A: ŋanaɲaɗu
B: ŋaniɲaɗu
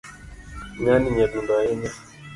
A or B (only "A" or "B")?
B